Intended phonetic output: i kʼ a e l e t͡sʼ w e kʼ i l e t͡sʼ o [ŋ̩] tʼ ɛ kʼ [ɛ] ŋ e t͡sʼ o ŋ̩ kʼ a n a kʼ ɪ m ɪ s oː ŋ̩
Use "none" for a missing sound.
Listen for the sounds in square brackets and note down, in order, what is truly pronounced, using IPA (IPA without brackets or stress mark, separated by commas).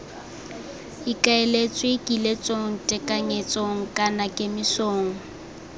ŋ̩, a